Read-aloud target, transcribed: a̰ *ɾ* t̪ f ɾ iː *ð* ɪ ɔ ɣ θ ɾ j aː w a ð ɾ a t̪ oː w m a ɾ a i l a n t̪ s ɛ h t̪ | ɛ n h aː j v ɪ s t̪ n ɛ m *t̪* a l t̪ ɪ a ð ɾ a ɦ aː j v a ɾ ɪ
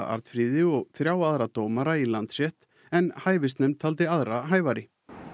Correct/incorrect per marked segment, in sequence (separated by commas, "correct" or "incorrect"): correct, correct, incorrect